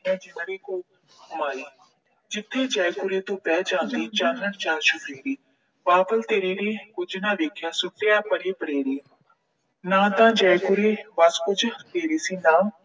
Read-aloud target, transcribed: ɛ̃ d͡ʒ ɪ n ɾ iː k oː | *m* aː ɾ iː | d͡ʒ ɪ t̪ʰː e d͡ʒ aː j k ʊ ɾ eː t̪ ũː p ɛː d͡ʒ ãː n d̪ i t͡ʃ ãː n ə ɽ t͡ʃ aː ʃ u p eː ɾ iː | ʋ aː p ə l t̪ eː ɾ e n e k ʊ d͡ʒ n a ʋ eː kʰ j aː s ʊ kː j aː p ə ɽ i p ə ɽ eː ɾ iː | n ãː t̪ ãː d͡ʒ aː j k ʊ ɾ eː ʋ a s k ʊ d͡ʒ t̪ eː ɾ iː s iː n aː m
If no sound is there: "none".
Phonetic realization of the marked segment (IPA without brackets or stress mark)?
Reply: m